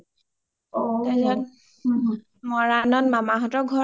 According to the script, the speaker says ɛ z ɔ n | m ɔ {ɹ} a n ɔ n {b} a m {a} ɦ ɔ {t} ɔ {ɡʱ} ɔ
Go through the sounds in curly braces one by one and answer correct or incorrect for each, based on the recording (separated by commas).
correct, incorrect, correct, correct, correct